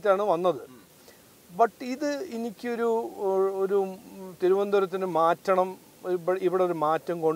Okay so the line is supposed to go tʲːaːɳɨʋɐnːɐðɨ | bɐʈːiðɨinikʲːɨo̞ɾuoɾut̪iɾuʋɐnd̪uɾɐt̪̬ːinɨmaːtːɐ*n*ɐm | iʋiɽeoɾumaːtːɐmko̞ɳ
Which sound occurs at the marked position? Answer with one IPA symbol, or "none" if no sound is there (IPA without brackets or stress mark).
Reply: ɳ